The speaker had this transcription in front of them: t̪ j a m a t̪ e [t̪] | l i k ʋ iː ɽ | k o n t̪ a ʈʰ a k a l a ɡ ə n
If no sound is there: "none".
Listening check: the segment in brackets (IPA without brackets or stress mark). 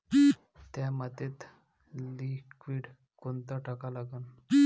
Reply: t̪